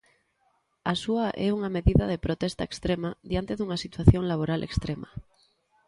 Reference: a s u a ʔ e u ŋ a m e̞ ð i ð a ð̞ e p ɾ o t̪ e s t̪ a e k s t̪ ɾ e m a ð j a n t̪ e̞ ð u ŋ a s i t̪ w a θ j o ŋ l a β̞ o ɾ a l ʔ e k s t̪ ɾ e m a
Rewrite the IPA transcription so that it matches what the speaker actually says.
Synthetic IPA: a s u a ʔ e u ŋ a m e̞ ð i ð a ð̞ e p ɾ o t̪ e s t̪ a e k s t̪ ɾ e m a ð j a n t̪ e̞ ð u ŋ a s i t̪ w a θ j o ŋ l a β̞ o ɾ a l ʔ e k s t̪ ɾ e m a